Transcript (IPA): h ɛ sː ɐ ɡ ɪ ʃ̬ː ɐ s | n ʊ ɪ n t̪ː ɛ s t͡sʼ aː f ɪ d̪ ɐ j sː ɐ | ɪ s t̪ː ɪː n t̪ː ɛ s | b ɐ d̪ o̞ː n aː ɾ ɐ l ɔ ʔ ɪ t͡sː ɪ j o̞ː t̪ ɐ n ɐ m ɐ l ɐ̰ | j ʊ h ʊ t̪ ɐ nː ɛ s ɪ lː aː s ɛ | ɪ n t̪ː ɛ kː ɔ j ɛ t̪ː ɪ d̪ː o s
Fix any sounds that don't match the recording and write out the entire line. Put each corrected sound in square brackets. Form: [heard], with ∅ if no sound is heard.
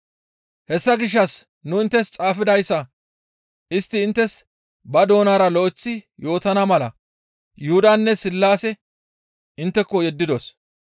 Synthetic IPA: h ɛ sː ɐ ɡ ɪ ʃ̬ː ɐ s | n ʊ ɪ n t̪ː ɛ s t͡sʼ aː f ɪ d̪ ɐ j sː ɐ | ɪ s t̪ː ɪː n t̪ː ɛ s | b ɐ d̪ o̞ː n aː ɾ ɐ l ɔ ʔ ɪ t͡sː ɪ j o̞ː t̪ ɐ n ɐ m ɐ l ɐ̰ | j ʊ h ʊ [d̪] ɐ nː ɛ s ɪ lː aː s ɛ | ɪ n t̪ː ɛ kː ɔ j ɛ [d̪ː] ɪ [d̪] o s